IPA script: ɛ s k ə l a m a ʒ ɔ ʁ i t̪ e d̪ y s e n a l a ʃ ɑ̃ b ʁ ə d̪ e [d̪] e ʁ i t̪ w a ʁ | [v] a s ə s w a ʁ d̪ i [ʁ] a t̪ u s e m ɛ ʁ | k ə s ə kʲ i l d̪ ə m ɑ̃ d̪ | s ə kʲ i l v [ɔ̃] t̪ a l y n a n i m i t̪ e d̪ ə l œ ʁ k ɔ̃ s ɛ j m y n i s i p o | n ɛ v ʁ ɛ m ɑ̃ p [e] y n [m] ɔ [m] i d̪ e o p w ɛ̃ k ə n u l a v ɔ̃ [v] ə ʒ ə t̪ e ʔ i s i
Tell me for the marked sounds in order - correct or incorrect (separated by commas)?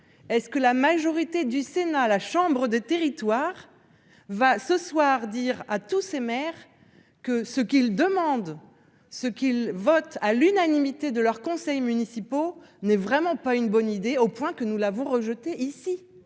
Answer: incorrect, correct, correct, incorrect, incorrect, incorrect, incorrect, incorrect